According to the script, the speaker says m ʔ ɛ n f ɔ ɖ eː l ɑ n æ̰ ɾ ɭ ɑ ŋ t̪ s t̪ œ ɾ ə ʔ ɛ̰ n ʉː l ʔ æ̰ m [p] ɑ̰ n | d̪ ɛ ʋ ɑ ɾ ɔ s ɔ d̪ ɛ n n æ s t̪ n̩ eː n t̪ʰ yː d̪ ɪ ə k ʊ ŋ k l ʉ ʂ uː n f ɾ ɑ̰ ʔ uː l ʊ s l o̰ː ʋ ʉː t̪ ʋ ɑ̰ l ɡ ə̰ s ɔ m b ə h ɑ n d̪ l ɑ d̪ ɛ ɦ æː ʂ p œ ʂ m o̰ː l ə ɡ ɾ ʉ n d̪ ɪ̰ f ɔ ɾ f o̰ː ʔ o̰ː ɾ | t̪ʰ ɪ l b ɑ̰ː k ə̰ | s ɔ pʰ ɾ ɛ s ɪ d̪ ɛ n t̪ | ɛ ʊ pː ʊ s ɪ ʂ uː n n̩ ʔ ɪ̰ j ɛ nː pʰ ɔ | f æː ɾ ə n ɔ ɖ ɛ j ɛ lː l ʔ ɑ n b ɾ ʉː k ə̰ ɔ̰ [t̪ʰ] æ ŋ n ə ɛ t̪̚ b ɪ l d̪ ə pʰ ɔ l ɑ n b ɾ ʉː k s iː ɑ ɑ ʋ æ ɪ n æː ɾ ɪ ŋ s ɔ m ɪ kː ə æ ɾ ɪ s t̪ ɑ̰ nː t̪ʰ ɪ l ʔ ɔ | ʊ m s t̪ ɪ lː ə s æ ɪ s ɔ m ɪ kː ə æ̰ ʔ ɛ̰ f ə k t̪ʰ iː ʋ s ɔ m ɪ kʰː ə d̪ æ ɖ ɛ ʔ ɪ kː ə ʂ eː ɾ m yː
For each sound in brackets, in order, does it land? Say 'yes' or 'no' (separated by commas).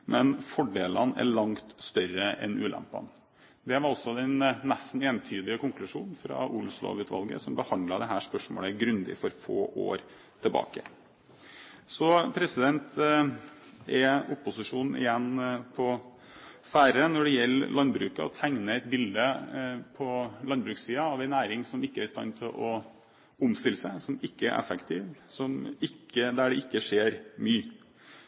yes, yes